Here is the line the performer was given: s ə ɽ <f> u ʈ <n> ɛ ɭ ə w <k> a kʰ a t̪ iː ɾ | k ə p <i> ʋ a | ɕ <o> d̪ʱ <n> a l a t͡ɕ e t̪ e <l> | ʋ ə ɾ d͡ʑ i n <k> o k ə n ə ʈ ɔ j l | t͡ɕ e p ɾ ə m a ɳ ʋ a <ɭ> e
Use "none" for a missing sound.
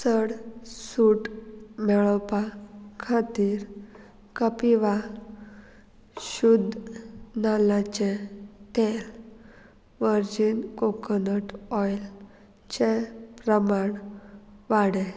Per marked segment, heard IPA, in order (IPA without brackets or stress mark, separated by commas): s, m, p, i, u, n, l, k, ɽ